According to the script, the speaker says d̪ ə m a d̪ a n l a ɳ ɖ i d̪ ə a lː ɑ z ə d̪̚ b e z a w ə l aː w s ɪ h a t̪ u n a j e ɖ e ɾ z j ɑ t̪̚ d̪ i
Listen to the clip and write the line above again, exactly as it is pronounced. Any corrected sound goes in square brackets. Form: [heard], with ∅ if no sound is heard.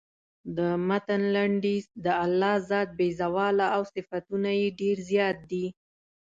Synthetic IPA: d̪ ə m a [t̪] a n l a ɳ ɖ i d̪ ə a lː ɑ z [ɑ] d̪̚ b e z a w [ɑ] l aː w s ɪ [f] a t̪ u n a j e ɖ e ɾ z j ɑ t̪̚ d̪ i